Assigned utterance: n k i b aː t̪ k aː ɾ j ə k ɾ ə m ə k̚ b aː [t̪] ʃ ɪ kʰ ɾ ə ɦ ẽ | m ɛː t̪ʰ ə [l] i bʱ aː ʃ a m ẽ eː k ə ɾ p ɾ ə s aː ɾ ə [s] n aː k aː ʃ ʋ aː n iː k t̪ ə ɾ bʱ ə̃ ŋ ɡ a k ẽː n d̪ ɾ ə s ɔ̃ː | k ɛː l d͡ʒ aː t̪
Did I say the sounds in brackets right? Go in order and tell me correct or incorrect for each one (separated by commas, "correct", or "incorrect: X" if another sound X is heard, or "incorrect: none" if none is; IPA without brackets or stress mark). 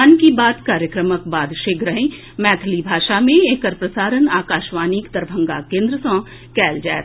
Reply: incorrect: d̪, correct, incorrect: none